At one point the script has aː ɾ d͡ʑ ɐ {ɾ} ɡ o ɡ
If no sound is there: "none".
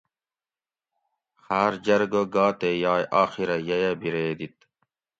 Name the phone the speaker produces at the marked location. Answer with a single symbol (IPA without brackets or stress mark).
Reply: ɾ